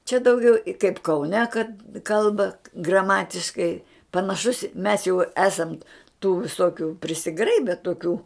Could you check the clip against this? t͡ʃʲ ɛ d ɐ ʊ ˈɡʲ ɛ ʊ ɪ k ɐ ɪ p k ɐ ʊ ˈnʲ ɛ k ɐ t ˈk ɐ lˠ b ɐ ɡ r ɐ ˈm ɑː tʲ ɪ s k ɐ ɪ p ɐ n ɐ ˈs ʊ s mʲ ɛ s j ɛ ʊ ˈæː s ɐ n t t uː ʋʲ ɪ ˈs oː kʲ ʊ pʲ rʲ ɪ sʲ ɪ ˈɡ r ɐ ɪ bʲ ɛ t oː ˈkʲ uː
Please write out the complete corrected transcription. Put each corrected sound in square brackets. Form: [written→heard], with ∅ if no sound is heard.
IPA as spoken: t͡ʃʲ ɛ d ɐ ʊ ˈɡʲ ɛ ʊ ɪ k ɐ ɪ p k ɐ ʊ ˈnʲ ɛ k ɐ t ˈk ɐ lˠ b ɐ ɡ r ɐ ˈm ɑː tʲ ɪ [s→ʃ] k ɐ ɪ p ɐ n ɐ [ˈs→ˈʃ] ʊ s mʲ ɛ s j ɛ ʊ ˈæː s ɐ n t t uː ʋʲ ɪ ˈs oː kʲ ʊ pʲ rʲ ɪ sʲ ɪ ˈɡ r ɐ ɪ bʲ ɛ t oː ˈkʲ uː

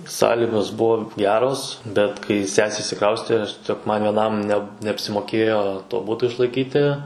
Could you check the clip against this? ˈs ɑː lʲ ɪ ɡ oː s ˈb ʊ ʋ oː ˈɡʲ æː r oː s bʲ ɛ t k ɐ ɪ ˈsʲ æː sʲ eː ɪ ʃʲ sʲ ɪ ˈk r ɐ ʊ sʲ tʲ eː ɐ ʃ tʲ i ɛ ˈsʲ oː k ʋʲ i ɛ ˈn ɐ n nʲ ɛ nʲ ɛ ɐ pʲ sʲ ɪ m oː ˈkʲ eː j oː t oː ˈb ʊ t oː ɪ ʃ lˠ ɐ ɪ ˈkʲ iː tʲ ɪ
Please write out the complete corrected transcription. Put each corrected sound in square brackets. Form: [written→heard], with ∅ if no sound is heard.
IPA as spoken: ˈs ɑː lʲ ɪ ɡ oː s ˈb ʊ ʋ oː ˈɡʲ æː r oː s bʲ ɛ t k ɐ ɪ ˈsʲ æː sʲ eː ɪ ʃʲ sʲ ɪ ˈk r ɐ ʊ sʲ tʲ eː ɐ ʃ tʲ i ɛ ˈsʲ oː k ʋʲ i ɛ ˈn ɐ [n→m] nʲ ɛ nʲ ɛ ɐ pʲ sʲ ɪ m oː ˈkʲ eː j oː t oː ˈb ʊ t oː ɪ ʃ lˠ ɐ ɪ ˈkʲ iː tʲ ɪ

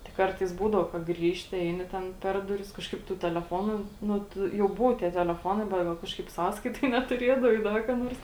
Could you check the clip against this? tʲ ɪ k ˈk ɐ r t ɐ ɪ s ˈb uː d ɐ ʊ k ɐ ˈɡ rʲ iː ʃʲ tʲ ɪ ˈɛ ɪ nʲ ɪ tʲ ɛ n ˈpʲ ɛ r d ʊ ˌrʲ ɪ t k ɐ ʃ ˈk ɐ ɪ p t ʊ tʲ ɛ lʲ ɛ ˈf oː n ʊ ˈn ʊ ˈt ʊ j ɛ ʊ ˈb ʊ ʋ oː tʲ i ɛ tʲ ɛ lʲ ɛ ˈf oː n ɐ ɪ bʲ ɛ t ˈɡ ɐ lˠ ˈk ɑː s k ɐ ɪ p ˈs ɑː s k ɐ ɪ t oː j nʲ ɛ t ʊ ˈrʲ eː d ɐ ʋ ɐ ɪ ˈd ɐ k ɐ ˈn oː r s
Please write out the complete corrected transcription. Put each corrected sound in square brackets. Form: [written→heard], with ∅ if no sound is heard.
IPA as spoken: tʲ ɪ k ˈk ɐ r t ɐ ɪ s ˈb uː d ɐ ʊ k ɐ ˈɡ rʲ iː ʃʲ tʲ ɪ ˈɛ ɪ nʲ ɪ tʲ ɛ n ˈpʲ ɛ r d ʊ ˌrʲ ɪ [t→s] k ɐ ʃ ˈk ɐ ɪ p t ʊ tʲ ɛ lʲ ɛ ˈf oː n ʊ ˈn ʊ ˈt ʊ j ɛ ʊ ˈb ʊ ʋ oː tʲ i ɛ tʲ ɛ lʲ ɛ ˈf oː n ɐ ɪ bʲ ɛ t ˈɡ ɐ lˠ ˈk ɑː [s→ʃ] k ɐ ɪ p ˈs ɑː s k ɐ ɪ t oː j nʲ ɛ t ʊ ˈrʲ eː d ɐ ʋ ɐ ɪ ˈd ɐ k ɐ ˈn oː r s

